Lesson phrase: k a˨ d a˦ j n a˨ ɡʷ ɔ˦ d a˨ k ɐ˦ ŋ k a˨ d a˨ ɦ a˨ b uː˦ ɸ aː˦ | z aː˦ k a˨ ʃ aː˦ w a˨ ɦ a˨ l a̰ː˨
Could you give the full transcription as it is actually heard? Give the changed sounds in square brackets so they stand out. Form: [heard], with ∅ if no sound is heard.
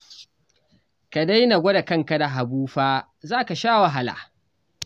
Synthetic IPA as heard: k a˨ d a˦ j n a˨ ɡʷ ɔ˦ d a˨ k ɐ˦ ŋ k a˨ d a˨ ɦ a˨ b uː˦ ɸ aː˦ | z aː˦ k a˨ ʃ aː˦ w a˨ ɦ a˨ l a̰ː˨